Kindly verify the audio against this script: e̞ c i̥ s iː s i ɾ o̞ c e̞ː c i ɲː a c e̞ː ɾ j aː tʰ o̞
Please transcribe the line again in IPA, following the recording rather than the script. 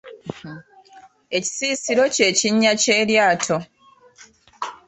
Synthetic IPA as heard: e̞ c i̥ s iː s i ɾ o̞ c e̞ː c i ɲː a c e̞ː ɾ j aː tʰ o̞